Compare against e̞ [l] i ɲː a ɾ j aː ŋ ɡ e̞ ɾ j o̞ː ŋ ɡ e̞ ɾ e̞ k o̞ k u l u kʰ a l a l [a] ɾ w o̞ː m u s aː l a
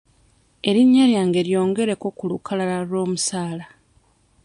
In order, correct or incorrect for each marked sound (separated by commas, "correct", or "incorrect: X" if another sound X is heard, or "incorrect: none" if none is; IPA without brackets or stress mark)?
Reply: incorrect: ɾ, correct